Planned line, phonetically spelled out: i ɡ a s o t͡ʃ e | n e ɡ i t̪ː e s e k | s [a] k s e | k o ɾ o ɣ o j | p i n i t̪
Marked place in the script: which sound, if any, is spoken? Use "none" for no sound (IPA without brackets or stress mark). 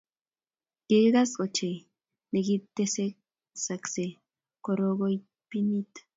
a